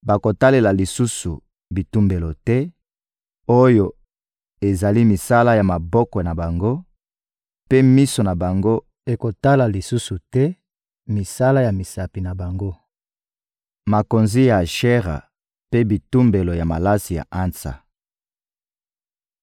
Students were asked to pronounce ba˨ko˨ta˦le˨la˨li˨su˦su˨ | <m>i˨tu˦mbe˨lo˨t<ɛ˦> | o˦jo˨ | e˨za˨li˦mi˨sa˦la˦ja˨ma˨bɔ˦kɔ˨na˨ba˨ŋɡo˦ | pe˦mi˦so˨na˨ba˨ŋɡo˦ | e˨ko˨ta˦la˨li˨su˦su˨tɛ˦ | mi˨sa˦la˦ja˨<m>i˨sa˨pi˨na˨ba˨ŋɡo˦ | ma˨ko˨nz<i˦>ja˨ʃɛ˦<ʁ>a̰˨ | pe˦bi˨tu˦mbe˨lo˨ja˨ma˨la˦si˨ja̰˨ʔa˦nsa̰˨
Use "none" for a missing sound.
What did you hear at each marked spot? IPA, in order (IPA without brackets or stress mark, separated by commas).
b, ɛ˦, m, i˦, ʁ